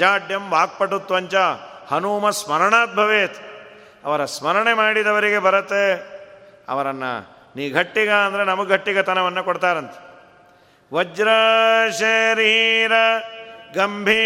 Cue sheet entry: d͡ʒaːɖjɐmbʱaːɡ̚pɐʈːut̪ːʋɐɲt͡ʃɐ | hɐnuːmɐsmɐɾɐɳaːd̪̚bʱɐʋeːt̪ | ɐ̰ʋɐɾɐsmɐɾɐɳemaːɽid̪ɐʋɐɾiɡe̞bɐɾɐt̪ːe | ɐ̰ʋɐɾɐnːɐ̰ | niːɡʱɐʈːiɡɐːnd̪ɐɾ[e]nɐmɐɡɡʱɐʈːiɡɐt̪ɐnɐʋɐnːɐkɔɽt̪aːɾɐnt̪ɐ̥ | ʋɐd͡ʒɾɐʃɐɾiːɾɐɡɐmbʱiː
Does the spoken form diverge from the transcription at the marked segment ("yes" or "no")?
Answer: no